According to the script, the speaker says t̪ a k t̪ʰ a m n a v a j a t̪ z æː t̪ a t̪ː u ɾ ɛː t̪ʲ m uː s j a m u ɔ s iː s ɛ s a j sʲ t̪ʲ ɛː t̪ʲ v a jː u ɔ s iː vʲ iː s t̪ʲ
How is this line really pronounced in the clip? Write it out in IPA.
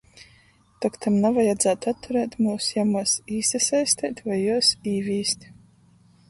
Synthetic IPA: t̪ a k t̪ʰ a m n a v a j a d̪ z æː t̪ a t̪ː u ɾ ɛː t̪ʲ m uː s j a m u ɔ s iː s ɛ s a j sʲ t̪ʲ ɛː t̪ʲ v a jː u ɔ s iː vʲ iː s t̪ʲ